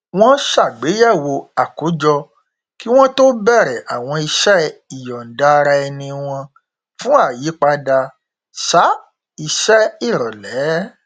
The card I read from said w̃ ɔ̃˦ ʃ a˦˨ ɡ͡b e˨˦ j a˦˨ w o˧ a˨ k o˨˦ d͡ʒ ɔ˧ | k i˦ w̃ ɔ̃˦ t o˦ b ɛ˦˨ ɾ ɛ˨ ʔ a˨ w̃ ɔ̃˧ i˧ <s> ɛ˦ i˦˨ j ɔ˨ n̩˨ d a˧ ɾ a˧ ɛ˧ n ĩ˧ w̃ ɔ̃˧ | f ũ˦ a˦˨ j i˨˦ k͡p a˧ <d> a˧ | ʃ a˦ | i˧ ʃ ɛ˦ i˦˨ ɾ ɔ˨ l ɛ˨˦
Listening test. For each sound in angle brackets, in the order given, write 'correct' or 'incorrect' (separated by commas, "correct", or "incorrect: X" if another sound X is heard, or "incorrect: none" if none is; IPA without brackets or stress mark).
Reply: incorrect: ʃ, correct